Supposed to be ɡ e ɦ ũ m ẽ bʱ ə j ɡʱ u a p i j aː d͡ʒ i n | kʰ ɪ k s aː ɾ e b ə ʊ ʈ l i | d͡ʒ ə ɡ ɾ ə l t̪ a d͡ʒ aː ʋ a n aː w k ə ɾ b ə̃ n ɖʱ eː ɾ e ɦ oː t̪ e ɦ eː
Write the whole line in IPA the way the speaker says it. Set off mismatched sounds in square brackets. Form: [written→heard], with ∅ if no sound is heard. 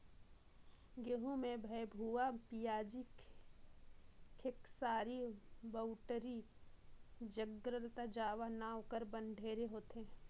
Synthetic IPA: ɡ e ɦ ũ m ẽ bʱ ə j [ɡʱ→bʱ] u a p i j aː d͡ʒ i [n→∅] | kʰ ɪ k s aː ɾ [e→i] b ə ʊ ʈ [l→ɾ] i | d͡ʒ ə ɡ ɾ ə l t̪ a d͡ʒ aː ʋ a n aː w k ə ɾ b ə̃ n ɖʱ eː ɾ e ɦ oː t̪ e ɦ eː

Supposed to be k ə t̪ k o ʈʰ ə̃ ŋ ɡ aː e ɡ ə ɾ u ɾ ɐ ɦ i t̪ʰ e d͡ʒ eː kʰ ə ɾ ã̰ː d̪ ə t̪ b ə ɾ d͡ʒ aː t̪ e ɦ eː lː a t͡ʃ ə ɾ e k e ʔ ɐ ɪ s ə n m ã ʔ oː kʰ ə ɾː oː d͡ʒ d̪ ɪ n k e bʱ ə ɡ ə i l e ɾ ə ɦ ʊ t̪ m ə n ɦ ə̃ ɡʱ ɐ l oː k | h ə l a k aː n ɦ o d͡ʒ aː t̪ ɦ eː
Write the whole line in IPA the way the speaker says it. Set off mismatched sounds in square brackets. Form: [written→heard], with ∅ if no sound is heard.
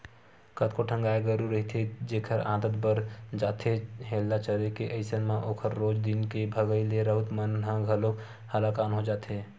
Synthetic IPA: k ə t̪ k o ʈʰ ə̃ ŋ ɡ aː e ɡ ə ɾ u ɾ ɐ ɦ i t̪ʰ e d͡ʒ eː kʰ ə ɾ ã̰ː d̪ ə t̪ b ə ɾ d͡ʒ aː t̪ e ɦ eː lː a t͡ʃ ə ɾ e k e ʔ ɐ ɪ s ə n m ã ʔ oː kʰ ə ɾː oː d͡ʒ d̪ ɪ n k e bʱ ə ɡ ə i l e ɾ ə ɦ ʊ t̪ m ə n ɦ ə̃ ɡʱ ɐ l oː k | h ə l a k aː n ɦ o d͡ʒ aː t̪ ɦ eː

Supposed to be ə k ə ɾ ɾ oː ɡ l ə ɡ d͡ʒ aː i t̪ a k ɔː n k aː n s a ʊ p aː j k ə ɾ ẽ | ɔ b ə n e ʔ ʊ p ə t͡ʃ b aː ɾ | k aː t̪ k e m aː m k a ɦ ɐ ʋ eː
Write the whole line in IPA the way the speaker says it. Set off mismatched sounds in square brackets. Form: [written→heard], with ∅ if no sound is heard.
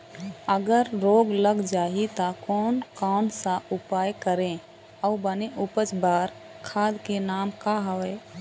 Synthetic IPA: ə [k→ɡ] ə ɾ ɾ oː ɡ l ə ɡ d͡ʒ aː i t̪ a k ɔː n k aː n s a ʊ p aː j k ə ɾ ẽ | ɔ b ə n e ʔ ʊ p ə t͡ʃ b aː ɾ | [k→kʰ] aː [t̪→d̪] k e [m→n] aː m k a ɦ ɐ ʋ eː

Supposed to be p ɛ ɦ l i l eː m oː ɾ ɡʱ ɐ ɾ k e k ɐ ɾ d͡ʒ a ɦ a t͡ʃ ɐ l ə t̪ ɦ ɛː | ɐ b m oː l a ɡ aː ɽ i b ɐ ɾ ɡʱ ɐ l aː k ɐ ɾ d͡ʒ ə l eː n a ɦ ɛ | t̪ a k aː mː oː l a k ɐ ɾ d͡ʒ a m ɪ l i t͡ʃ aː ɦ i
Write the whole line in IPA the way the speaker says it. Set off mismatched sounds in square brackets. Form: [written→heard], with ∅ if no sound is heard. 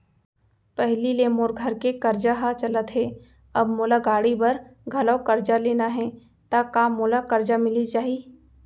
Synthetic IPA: p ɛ ɦ l i l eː m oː ɾ ɡʱ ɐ ɾ k e k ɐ ɾ d͡ʒ a ɦ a t͡ʃ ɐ l ə t̪ ɦ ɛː | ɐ b m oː l a ɡ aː ɽ i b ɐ ɾ ɡʱ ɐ l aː k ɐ ɾ d͡ʒ [ə→a] l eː n a ɦ ɛ | t̪ a k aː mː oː l a k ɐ ɾ d͡ʒ a m ɪ l i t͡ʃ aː ɦ i

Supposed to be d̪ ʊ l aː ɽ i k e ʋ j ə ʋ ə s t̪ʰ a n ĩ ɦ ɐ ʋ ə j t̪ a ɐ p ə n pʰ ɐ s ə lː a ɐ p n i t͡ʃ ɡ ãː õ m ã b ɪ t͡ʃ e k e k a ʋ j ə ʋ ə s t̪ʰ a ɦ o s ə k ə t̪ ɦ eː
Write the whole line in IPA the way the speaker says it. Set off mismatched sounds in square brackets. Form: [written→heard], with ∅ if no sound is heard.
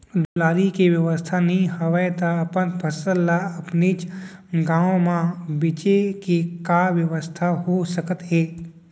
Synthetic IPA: d̪ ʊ l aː [ɽ→ɾ] i k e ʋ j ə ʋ ə s t̪ʰ a n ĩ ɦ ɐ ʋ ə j t̪ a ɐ p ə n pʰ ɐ s ə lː a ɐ p n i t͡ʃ ɡ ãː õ m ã b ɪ t͡ʃ e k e k a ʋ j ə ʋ ə s t̪ʰ a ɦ o s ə k ə t̪ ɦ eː

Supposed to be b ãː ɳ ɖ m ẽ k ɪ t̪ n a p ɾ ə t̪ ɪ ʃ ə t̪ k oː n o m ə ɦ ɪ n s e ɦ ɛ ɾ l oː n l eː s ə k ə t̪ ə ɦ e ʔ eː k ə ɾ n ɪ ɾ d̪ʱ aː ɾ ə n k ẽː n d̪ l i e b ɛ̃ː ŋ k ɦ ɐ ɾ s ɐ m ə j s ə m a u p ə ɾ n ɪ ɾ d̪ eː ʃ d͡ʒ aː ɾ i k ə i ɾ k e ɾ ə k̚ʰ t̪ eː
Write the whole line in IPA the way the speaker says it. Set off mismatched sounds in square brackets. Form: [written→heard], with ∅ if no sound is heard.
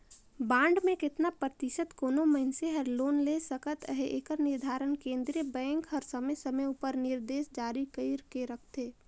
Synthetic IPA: b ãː ɳ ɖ m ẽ k ɪ t̪ n a p ɾ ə t̪ ɪ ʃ ə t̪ k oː n o m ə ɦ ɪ n s e ɦ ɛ ɾ l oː n l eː s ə k ə t̪ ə ɦ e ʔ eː k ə ɾ n ɪ ɾ d̪ʱ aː ɾ ə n k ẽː n d̪ [l→ɾ] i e b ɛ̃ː ŋ k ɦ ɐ ɾ s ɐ m ə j s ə m [a→ə] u p ə ɾ n ɪ ɾ d̪ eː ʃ d͡ʒ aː ɾ i k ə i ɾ k e ɾ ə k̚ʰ t̪ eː

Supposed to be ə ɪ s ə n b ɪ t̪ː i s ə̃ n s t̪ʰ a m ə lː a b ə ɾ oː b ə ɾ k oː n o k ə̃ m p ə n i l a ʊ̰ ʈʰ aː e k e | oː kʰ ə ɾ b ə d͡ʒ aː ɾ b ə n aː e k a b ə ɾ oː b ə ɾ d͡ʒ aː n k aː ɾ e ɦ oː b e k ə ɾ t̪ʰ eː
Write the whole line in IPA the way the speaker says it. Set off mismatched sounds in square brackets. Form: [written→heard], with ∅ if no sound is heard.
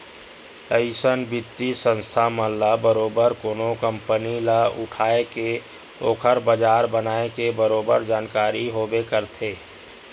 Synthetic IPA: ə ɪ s ə n b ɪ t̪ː i s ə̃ n s t̪ʰ a m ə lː a b ə ɾ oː b ə ɾ k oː n o k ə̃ m p ə n i l a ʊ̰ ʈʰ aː e k e | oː kʰ ə ɾ b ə d͡ʒ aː ɾ b ə n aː e k [a→e] b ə ɾ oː b ə ɾ d͡ʒ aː n k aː ɾ [e→i] ɦ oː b e k ə ɾ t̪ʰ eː

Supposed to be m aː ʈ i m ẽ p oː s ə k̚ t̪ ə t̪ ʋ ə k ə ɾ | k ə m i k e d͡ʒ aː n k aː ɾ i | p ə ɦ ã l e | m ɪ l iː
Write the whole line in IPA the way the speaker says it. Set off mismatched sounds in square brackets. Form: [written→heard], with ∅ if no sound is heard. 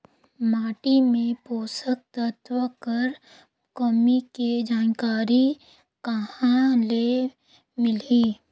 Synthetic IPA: m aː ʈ i m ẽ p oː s ə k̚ t̪ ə t̪ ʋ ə k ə ɾ | k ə m i k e d͡ʒ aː n k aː ɾ i | [p→k] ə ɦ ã l e | m ɪ l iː

